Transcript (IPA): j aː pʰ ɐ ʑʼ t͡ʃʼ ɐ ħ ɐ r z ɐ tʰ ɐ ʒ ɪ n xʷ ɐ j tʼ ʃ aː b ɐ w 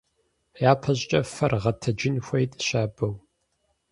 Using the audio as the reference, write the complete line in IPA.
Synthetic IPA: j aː pʰ ɐ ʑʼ t͡ʃʼ ɐ f ɐ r ʁ ɐ tʰ ɐ d͡ʒ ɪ n xʷ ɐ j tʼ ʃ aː b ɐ w